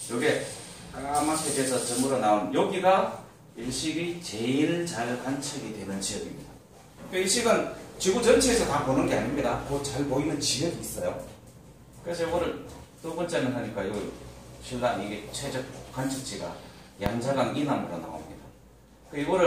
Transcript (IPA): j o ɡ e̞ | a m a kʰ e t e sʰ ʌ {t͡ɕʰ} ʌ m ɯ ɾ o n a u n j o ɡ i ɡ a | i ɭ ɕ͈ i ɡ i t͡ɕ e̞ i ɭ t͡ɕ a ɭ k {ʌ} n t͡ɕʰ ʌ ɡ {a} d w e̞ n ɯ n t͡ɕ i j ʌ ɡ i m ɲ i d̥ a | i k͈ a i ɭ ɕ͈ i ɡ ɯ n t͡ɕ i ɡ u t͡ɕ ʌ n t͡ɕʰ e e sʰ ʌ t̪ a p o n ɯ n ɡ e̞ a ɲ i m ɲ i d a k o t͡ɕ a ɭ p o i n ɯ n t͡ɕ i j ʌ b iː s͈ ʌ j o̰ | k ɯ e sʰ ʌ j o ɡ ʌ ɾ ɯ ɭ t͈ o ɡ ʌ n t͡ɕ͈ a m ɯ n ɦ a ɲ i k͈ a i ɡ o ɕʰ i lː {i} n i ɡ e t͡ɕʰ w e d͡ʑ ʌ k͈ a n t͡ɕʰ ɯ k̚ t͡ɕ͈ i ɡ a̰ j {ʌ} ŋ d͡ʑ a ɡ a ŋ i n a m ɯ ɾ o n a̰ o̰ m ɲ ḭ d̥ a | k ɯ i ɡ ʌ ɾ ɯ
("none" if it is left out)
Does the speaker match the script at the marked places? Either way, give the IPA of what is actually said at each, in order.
t͡ɕ, a, i, a, a

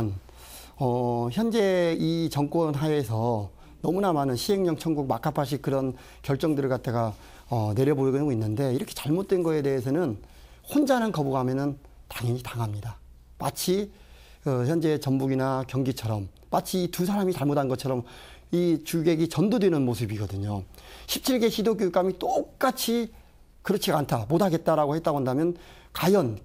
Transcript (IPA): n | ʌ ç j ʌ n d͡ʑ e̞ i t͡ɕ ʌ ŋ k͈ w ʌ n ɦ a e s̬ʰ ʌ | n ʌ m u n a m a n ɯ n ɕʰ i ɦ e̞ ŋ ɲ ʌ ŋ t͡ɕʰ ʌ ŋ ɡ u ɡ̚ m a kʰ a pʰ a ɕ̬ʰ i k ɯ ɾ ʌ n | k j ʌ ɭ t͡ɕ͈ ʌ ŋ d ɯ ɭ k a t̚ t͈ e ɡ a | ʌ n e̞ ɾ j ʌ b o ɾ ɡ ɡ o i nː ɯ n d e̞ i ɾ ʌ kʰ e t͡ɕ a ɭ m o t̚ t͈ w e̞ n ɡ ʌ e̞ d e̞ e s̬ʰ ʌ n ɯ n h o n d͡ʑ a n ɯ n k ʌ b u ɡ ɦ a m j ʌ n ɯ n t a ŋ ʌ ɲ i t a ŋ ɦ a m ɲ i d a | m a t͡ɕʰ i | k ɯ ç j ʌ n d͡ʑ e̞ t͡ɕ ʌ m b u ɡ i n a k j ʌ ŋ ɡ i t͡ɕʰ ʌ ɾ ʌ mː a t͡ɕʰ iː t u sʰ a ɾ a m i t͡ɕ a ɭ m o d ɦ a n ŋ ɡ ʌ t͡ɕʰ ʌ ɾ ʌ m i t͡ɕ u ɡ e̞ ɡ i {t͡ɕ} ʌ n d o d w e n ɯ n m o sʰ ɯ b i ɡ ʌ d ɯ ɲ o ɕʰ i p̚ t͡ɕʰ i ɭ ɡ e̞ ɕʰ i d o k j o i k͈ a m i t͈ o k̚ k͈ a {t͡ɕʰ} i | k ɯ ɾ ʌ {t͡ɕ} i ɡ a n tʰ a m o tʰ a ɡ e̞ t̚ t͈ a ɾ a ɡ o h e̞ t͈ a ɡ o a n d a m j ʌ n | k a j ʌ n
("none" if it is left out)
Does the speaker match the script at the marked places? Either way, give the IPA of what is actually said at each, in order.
t͡ɕ, t͡ɕʰ, t͡ɕʰ

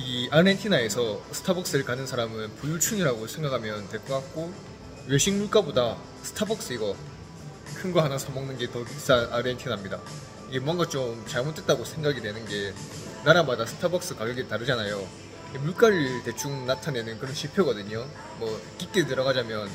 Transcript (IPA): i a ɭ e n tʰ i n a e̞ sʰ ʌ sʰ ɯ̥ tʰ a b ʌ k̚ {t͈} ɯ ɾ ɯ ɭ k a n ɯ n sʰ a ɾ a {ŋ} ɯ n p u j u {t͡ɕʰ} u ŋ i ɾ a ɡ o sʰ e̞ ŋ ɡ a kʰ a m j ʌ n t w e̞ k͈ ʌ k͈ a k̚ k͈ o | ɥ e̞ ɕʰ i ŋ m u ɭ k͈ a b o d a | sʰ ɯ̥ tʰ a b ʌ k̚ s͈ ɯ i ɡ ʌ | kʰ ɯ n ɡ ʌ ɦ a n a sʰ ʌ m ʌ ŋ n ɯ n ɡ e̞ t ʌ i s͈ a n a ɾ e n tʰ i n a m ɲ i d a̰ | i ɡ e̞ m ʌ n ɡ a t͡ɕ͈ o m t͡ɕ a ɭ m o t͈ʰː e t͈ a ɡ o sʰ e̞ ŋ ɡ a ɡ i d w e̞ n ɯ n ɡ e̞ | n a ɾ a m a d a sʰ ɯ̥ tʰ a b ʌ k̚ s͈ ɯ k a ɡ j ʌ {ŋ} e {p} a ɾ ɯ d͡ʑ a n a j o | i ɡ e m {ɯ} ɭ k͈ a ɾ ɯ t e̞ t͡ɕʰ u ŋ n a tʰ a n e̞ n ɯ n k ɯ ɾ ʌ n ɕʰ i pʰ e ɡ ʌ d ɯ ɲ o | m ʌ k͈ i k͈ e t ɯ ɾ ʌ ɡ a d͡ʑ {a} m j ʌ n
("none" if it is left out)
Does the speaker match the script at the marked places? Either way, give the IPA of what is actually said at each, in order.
s͈, m, t͡ɕʰ, ɡ, t, u, a

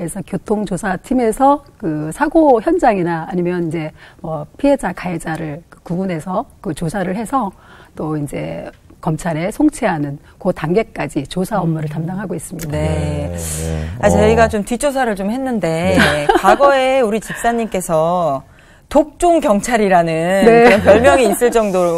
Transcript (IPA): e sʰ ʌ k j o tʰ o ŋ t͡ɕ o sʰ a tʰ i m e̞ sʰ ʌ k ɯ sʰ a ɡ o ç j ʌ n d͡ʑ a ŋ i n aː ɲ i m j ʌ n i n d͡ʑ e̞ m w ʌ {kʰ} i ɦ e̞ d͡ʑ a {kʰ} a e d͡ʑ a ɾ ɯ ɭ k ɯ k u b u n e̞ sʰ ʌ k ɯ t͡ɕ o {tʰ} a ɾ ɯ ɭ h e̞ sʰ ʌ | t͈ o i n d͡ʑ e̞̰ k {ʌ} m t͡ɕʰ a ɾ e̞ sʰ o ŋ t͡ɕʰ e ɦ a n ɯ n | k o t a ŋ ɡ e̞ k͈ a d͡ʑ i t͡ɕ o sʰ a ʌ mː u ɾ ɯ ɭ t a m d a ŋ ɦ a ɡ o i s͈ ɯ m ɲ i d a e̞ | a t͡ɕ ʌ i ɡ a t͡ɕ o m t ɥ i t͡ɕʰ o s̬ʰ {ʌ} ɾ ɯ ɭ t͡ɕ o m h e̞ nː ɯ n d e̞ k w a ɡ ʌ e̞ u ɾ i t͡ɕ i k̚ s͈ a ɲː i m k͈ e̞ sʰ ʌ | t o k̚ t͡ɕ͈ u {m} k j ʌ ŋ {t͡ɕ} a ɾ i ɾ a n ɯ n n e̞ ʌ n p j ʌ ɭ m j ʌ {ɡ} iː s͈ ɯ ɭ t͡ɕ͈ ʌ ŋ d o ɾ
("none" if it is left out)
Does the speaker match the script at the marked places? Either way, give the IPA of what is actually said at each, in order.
pʰ, k, sʰ, ʌ, a, ŋ, t͡ɕʰ, ŋ

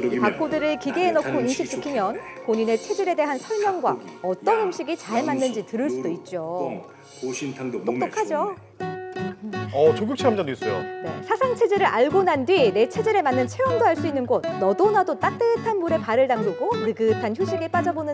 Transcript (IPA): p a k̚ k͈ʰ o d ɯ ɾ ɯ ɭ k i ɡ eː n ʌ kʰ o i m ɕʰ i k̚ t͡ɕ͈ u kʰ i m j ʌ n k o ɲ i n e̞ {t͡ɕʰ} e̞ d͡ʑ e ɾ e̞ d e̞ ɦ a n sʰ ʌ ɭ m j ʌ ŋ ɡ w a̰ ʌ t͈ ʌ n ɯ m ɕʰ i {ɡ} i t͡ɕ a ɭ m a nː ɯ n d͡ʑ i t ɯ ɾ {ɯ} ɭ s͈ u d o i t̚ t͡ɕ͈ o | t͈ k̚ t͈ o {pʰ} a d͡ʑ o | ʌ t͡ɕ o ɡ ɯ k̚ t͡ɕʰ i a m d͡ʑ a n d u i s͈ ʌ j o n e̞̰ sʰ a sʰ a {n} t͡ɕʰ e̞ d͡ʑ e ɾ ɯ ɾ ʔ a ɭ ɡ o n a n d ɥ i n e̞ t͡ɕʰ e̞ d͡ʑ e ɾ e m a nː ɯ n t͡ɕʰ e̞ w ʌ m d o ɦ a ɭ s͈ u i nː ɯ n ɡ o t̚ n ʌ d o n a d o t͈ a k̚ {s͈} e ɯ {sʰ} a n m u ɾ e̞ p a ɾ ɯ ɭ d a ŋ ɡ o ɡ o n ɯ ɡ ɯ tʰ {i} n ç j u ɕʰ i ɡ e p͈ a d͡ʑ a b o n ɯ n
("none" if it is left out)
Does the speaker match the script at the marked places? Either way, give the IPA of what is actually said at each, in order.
t͡ɕʰ, ɡ, ɯ, kʰ, ŋ, t͈, tʰ, a

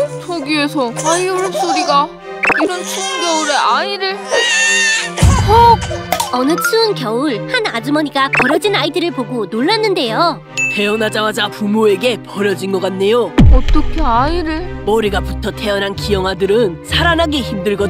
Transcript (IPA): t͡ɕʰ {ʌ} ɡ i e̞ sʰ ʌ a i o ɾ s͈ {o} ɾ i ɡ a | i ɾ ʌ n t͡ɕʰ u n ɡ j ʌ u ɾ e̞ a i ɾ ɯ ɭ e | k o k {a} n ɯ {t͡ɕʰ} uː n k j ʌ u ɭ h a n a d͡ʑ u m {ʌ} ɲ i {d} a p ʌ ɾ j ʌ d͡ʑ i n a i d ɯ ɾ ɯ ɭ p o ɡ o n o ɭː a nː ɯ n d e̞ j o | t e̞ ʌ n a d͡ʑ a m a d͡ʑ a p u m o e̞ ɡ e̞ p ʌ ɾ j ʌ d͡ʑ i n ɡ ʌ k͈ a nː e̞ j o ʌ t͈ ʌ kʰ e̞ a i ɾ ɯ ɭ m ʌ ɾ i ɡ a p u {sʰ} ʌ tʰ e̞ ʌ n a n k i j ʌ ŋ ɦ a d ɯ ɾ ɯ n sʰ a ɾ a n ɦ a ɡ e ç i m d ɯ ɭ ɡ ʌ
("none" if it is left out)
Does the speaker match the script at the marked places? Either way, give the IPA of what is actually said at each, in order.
ʌ, o, ʌ, t͡ɕʰ, ʌ, ɡ, tʰ

